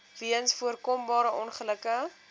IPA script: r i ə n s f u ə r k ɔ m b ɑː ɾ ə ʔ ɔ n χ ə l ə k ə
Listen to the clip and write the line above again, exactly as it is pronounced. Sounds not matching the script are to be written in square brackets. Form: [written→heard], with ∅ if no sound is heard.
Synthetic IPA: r i ə n s f u ə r k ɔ m b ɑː ɾ ə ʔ ɔ n χ ə l ə k ə